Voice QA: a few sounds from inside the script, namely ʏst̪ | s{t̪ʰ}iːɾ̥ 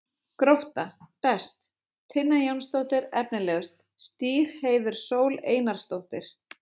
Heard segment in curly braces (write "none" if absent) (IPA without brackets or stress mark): t̪